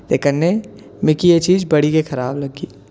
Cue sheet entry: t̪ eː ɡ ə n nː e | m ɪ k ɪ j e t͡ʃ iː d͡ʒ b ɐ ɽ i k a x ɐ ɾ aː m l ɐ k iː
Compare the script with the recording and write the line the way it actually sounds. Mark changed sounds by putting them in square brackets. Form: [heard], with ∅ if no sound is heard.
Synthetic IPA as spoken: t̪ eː [k] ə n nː e | m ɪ k [i] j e t͡ʃ iː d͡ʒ b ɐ ɽ i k [e] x ɐ ɾ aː [b] l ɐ [ɡ] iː